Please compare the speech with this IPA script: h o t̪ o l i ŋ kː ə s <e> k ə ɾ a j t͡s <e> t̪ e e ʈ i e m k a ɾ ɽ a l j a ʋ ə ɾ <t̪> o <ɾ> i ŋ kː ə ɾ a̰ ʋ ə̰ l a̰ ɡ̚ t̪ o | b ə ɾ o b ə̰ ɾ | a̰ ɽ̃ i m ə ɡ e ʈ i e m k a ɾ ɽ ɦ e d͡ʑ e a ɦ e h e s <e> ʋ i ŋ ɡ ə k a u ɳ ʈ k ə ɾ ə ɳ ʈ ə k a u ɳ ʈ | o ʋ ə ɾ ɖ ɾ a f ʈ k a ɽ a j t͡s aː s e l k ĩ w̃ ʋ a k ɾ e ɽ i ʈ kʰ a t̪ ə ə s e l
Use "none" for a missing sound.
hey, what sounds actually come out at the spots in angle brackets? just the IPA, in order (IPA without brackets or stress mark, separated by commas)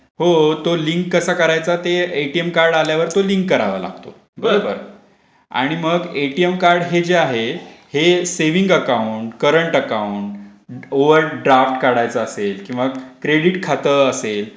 a, a, t̪, l, e